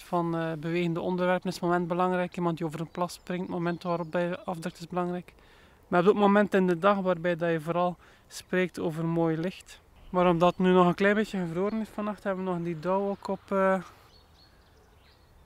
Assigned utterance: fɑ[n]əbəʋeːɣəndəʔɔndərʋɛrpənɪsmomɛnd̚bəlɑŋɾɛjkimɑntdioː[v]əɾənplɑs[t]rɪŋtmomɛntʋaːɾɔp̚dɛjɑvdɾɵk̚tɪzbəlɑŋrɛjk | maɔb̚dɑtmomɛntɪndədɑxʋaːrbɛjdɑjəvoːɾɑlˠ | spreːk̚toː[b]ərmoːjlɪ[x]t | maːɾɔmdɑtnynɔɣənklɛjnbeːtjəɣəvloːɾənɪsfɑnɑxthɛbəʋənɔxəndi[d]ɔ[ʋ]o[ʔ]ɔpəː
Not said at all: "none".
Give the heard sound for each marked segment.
n, v, p, v, x, d, w, k

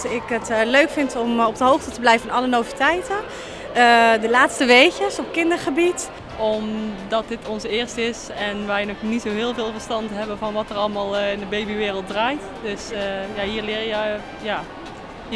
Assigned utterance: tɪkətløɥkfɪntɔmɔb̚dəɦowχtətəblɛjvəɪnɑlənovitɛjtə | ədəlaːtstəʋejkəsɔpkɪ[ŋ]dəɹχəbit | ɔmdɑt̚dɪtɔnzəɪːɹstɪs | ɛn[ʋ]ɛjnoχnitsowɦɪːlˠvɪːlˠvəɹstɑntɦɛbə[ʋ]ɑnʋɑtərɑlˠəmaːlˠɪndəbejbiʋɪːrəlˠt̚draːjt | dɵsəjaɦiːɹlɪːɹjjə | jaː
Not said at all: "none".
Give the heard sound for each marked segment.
n, ʋ, v

